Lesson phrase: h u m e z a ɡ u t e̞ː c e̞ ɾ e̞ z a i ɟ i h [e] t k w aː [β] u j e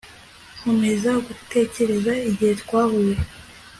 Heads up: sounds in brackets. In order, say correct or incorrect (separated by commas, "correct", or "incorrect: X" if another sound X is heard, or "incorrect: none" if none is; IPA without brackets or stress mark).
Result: correct, correct